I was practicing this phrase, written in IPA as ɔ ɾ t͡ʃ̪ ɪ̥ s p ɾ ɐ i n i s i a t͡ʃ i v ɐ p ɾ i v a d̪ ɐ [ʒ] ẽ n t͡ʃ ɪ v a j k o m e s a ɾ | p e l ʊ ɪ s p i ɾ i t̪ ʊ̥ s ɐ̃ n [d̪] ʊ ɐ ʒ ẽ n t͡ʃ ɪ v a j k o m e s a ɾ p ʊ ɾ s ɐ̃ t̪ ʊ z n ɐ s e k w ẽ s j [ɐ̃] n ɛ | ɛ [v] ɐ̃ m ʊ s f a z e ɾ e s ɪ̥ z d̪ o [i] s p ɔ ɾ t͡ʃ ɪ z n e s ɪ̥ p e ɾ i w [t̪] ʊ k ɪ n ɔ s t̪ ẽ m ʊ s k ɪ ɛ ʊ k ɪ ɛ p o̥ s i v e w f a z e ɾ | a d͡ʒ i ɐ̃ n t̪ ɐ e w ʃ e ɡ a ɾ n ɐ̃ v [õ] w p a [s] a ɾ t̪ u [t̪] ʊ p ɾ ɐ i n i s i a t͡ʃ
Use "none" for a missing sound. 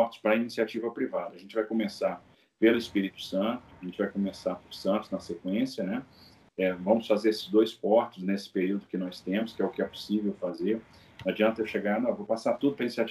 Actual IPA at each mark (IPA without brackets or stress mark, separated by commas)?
ʒ, t̪, ɐ, v, j, d̪, o, s, d̪